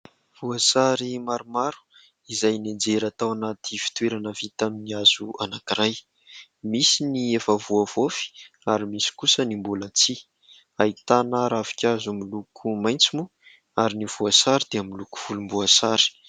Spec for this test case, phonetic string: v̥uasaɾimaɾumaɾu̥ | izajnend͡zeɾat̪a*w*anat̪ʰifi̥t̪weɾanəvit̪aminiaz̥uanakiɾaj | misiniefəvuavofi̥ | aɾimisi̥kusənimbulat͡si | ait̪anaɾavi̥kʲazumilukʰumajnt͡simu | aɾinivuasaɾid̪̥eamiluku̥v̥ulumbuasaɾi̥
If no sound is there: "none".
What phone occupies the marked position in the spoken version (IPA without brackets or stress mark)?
w